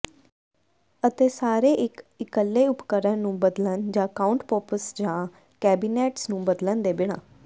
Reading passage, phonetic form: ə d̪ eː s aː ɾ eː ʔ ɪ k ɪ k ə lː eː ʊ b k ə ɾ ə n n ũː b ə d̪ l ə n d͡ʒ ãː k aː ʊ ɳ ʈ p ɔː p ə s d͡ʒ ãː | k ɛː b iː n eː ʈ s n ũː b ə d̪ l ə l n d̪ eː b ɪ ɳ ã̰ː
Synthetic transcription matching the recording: ə t̪ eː s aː ɾ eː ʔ ɪ k ɪ k ə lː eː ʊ p k ə ɾ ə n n ũː b ə d̪ l ə n d͡ʒ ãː k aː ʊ ɳ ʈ p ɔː p ə s d͡ʒ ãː | k ɛː b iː n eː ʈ s n ũː b ə d̪ l ə n d̪ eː b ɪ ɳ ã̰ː